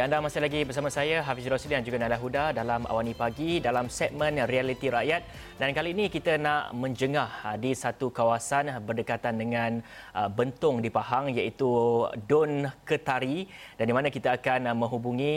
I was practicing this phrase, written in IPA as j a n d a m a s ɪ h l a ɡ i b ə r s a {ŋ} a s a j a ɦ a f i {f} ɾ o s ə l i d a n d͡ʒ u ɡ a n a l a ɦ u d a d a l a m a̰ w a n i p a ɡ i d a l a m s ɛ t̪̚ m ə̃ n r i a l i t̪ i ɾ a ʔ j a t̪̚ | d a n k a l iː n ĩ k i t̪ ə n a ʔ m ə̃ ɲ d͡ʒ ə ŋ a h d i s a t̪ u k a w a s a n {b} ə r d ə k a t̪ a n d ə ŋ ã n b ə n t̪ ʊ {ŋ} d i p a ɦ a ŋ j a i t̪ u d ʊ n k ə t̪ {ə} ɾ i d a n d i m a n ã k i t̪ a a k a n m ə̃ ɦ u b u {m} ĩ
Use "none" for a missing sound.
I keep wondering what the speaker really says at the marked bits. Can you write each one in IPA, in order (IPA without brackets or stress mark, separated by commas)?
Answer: m, s, b, ŋ, a, ŋ